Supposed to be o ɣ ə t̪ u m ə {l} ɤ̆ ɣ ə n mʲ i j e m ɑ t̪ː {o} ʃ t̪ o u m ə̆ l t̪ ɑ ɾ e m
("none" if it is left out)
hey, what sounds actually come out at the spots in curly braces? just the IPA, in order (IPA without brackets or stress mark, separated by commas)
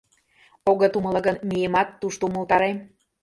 l, u